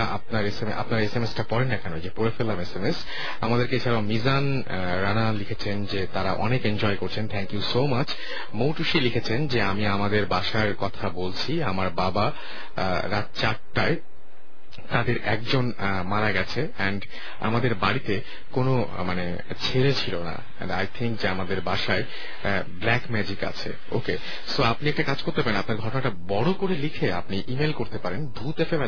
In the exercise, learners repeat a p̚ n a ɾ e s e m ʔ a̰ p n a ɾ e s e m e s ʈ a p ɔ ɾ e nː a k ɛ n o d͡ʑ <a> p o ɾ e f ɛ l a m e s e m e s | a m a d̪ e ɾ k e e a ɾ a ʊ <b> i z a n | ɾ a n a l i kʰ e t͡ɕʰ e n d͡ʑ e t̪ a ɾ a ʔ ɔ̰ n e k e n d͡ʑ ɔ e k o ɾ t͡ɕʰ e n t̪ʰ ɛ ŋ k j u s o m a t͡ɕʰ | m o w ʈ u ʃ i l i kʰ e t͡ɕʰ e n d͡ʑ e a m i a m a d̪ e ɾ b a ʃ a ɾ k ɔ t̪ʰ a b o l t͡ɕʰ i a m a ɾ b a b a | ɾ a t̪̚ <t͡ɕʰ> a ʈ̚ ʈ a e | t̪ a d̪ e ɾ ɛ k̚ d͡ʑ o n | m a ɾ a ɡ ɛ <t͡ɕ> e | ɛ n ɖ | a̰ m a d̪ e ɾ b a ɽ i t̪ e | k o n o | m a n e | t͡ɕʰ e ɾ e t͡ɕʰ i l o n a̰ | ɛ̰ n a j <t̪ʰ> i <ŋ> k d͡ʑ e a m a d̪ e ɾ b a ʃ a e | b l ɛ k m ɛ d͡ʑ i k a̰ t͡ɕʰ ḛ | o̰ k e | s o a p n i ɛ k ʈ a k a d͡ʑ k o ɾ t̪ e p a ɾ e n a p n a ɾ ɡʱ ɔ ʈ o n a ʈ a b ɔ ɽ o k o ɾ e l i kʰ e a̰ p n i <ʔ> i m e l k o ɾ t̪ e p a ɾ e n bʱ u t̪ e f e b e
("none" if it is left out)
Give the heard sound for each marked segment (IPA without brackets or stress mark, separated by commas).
e, m, t͡ɕ, t͡ɕʰ, t̪ʰ, ŋ, ʔ